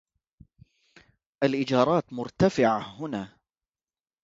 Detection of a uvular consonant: absent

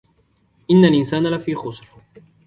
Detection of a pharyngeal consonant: absent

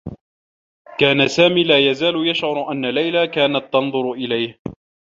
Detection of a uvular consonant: absent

